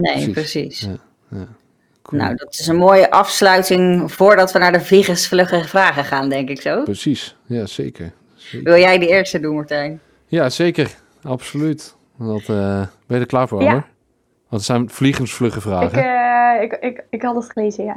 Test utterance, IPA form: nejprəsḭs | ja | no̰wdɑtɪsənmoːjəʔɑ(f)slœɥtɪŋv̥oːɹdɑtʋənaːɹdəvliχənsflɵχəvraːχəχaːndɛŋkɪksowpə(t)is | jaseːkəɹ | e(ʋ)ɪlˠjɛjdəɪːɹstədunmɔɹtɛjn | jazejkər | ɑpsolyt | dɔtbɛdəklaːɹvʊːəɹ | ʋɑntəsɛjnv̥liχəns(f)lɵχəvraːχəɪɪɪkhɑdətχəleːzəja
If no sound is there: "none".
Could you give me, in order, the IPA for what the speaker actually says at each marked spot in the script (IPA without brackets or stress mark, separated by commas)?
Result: f, s, ʋ, f